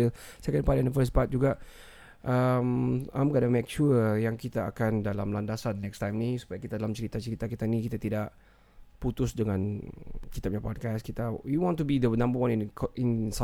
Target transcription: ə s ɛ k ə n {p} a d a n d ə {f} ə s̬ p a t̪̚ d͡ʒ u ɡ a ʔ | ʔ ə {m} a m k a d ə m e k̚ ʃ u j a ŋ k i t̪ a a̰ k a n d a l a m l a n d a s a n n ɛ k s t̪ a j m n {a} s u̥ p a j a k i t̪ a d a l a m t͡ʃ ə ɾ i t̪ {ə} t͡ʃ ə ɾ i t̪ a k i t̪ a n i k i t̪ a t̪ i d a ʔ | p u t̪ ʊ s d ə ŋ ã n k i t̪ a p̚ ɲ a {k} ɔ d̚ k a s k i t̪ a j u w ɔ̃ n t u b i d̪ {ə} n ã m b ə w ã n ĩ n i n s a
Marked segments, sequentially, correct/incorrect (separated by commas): correct, correct, correct, incorrect, incorrect, incorrect, correct